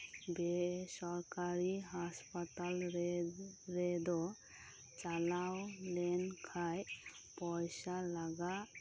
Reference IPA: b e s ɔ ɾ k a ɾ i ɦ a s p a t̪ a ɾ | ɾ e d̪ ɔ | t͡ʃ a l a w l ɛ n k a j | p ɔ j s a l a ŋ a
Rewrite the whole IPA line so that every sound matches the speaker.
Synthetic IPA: b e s ɔ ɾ k a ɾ i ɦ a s p a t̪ a l | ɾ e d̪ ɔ | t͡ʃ a l a w l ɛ n kʰ a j | p ɔ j s a l a ɡ a